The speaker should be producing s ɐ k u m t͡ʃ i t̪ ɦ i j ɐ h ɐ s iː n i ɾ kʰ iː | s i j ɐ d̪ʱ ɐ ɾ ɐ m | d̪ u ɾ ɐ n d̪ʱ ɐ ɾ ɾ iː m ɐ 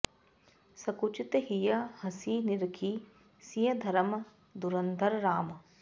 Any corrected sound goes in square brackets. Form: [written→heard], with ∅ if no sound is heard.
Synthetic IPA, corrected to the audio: s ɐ k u [m→∅] t͡ʃ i t̪ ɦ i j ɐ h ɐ s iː n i ɾ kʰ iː | s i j ɐ d̪ʱ ɐ ɾ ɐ m | d̪ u ɾ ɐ n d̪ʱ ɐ ɾ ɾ [iː→aː] m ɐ